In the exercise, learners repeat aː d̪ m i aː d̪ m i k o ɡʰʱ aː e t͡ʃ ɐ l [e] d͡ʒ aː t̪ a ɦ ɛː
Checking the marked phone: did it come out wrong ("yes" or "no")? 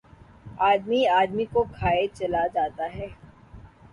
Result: yes